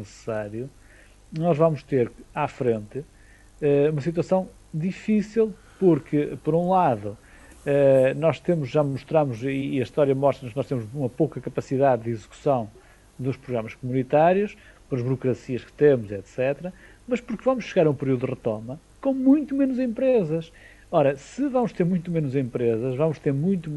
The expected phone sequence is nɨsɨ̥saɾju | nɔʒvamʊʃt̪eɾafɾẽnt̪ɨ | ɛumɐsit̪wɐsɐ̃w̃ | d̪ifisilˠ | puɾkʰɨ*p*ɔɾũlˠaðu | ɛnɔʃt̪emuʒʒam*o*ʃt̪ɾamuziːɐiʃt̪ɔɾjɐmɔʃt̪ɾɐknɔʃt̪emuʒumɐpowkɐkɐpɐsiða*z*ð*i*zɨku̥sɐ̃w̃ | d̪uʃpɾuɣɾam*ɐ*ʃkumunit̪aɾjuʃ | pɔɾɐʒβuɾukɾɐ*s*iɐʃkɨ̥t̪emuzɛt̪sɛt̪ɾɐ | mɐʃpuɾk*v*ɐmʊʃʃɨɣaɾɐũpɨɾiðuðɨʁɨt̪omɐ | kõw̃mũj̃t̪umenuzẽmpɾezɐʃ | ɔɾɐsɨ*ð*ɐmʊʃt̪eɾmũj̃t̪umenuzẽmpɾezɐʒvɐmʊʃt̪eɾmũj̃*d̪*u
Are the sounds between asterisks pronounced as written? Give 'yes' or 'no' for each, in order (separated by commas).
yes, no, no, yes, yes, yes, yes, no, no